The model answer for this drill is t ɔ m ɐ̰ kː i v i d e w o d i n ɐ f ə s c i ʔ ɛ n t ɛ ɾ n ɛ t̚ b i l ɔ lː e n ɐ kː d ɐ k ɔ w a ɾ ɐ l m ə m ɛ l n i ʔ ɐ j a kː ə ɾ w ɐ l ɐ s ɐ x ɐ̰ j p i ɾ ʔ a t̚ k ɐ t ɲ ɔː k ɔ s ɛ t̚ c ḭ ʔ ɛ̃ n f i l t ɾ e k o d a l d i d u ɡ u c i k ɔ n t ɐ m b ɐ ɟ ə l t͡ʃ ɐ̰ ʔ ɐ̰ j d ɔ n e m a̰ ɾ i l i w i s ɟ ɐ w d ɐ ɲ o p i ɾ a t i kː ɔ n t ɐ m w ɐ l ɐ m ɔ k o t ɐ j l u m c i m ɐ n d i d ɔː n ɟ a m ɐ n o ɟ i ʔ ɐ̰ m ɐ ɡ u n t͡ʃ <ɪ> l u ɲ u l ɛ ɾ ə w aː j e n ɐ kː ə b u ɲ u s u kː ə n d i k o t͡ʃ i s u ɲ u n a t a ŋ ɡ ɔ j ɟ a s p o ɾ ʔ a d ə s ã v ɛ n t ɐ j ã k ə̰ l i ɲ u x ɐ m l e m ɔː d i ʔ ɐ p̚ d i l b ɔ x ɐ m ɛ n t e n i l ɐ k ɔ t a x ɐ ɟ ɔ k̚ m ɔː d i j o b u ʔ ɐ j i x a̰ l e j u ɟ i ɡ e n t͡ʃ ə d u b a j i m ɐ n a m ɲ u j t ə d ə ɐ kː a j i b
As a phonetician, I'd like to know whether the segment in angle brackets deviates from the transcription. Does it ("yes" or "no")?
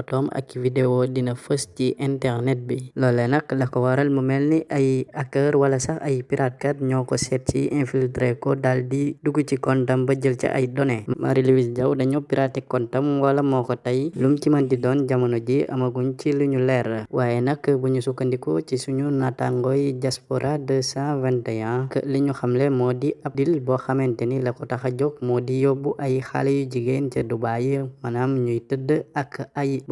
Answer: yes